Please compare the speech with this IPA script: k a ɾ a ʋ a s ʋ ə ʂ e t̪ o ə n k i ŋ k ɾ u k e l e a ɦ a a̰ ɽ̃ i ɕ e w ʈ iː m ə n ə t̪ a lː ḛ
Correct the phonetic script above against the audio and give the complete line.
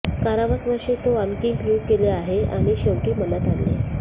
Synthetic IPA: k a ɾ a ʋ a s ʋ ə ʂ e t̪ o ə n k i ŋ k ɾ u k e l e a ɦ e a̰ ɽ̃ i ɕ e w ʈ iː m ə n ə t̪ a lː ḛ

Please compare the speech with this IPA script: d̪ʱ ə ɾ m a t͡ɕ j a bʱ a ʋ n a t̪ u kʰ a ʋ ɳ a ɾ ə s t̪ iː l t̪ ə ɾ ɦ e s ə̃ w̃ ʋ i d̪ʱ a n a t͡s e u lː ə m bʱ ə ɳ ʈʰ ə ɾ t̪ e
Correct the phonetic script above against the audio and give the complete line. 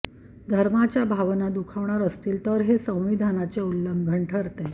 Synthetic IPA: d̪ʱ ə ɾ m a t͡ɕ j a bʱ a ʋ n a d̪ u kʰ a ʋ ɳ a ɾ ə s t̪ iː l t̪ ə ɾ ɦ e s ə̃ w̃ ʋ i d̪ʱ a n a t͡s e u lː ə m bʱ ə ɳ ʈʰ ə ɾ t̪ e

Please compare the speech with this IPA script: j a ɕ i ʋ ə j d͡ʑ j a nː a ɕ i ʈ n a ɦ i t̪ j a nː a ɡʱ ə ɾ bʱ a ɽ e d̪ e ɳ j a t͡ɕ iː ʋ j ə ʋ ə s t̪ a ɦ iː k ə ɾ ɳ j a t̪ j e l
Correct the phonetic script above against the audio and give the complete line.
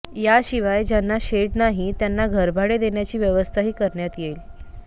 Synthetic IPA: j a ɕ i ʋ a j d͡ʑ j a nː a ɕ e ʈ n a ɦ i t̪ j a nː a ɡʱ ə ɾ bʱ a ɽ e d̪ e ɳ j a t͡ɕ iː ʋ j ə ʋ ə s t̪ʰ a ɦ iː k ə ɾ ɳ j a t̪ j e l

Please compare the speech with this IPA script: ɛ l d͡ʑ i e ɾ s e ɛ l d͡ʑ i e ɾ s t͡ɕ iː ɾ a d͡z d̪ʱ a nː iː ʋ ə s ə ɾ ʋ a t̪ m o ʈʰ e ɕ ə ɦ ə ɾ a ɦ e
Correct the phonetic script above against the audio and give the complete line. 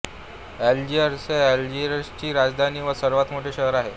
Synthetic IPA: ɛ l d͡ʑ i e ɾ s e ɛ l d͡ʑ i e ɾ s t͡ɕ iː ɾ a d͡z d̪ʱ a n iː ʋ ə s ə ɾ ʋ a t̪ m o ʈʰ e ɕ ə ɦ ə ɾ a ɦ e

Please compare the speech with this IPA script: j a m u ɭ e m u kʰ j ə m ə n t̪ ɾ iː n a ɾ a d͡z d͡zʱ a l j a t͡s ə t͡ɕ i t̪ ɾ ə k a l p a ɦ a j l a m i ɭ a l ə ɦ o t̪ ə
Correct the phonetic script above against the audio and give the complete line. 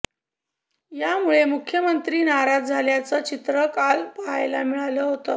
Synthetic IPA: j a m u ɭ e m u kʰ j ə m ə n t̪ ɾ iː n a ɾ a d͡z d͡zʱ a l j a t͡s ə t͡ɕ i t̪ ɾ ə k a l p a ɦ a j l a m i ɭ a l ə ɦ o t̪ ə

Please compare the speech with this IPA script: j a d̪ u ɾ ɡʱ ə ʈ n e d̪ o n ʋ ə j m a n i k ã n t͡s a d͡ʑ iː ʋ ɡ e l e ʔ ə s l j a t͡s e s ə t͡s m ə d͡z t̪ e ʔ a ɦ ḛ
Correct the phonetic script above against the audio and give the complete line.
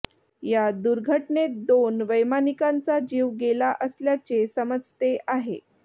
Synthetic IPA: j a d̪ u ɾ ɡʱ ə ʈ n e d̪ o n ʋ ə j m a n i k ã n t͡s a d͡ʑ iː ʋ ɡ e l a ʔ ə s l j a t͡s e s ə m ə d͡z t̪ e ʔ a ɦ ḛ

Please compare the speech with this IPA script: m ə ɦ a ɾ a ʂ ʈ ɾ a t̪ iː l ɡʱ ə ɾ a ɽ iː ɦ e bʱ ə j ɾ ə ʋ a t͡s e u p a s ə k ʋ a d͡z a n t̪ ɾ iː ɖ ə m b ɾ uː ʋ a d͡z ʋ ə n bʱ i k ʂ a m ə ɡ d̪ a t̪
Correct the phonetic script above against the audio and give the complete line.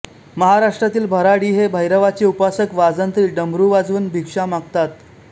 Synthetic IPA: m ə ɦ a ɾ a ʂ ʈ ɾ a t̪ iː l bʱ ə ɾ a ɽ iː ɦ e bʱ ə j ɾ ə ʋ a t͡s e u p a s ə k ʋ a d͡z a n t̪ ɾ iː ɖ ə m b ɾ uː ʋ a d͡z ʋ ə n bʱ i k ʂ a m a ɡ t̪ a t̪

